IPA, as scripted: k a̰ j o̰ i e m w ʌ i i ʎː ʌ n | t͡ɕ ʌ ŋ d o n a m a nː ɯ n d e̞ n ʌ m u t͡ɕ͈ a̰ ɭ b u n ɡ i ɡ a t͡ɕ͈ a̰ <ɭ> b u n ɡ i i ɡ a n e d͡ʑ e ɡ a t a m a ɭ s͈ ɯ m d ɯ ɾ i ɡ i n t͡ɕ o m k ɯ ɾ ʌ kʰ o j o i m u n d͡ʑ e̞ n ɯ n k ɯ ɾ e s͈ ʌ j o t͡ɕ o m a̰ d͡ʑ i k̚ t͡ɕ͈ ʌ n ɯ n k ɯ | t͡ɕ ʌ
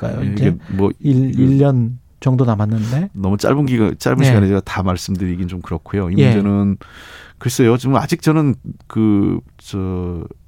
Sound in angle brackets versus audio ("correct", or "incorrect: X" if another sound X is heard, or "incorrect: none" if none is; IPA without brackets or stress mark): correct